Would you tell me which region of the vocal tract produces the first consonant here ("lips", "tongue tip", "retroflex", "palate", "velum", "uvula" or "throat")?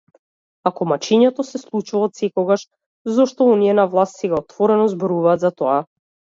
velum